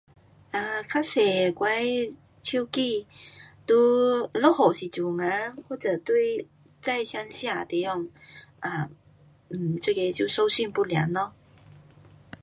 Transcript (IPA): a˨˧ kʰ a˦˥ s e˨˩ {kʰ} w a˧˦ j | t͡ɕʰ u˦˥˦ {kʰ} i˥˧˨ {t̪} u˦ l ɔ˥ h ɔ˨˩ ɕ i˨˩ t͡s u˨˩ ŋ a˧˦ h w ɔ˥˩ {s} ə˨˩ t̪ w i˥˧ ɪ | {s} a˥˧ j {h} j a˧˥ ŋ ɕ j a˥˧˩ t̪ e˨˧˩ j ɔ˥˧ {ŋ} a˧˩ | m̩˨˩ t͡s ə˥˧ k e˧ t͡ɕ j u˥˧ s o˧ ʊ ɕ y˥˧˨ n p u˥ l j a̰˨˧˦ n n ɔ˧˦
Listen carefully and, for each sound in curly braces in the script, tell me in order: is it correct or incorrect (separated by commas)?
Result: incorrect, incorrect, correct, incorrect, incorrect, incorrect, correct